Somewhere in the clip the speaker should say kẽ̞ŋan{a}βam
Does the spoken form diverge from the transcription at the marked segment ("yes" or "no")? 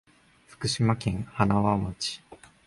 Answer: no